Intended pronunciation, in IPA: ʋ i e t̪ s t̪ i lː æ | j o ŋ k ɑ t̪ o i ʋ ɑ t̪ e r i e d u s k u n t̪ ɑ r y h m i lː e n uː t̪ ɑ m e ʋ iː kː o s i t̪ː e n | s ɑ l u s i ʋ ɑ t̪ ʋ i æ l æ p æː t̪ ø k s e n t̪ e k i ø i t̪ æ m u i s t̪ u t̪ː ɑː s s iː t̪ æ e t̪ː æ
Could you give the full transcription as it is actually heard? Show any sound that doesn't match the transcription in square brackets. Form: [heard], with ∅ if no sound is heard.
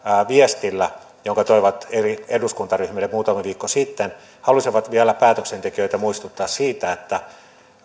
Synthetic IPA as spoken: ʋ i e [∅] s t̪ i lː æ | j o ŋ k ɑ t̪ o i ʋ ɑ t̪ e r i e d u s k u n t̪ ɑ r y h m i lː e [m] uː t̪ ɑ m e ʋ iː kː o s i t̪ː e n | [h] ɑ l u s i ʋ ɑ t̪ ʋ i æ l æ p æː t̪ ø k s e n t̪ e k i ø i t̪ æ m u i s t̪ u t̪ː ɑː s s iː t̪ æ e t̪ː æ